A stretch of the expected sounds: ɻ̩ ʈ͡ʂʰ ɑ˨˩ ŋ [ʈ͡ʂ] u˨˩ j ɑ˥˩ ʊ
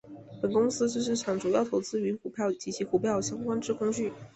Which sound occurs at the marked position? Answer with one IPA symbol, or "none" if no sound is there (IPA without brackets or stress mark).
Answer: ʈ͡ʂ